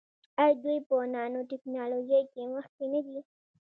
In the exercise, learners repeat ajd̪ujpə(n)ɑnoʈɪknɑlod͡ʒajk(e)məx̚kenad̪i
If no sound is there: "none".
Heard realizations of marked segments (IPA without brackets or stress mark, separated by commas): n, e